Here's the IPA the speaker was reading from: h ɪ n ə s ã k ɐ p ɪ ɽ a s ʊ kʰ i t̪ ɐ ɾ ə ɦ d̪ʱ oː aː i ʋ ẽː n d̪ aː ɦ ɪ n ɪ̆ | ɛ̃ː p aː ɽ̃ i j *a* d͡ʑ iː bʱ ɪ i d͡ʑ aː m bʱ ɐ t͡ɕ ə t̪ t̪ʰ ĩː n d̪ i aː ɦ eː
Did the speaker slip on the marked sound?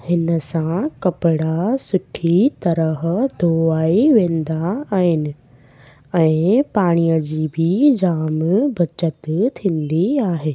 yes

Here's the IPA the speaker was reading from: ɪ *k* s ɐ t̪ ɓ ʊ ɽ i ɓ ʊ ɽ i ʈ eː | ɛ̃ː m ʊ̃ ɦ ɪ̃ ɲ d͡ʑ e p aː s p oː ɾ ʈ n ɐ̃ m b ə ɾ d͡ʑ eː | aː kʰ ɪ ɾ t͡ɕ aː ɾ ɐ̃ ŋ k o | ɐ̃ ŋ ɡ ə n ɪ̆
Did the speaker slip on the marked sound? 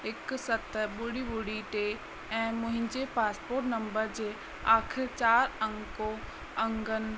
no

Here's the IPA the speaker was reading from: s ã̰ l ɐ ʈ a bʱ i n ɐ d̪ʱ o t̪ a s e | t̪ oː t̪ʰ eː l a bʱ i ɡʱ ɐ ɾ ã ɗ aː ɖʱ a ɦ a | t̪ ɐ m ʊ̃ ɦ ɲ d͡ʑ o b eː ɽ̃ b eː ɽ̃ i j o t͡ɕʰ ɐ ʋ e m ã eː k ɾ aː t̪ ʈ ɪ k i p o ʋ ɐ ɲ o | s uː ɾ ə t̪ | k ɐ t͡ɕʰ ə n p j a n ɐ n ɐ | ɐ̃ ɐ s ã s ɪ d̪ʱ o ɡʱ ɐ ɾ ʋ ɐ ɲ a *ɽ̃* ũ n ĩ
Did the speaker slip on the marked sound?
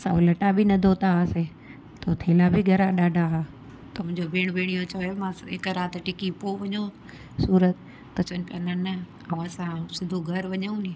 yes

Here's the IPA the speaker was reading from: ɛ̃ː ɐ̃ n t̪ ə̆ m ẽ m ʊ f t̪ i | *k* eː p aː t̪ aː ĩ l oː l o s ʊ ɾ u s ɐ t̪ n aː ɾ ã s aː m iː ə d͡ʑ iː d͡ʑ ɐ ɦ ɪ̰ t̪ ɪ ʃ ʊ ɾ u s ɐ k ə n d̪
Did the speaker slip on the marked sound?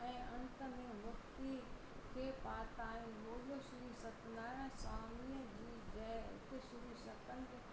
yes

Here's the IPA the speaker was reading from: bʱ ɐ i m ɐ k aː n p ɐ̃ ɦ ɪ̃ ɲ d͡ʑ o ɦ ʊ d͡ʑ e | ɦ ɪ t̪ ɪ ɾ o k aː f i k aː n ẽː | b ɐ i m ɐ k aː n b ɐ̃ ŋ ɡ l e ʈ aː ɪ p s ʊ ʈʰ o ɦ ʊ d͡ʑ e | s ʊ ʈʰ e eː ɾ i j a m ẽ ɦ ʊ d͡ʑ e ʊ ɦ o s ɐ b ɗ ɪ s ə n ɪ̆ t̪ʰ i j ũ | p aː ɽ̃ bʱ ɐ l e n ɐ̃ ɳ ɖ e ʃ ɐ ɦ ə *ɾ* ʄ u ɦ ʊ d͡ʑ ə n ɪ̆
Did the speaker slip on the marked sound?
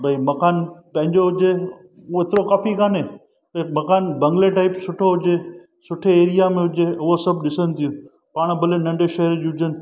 no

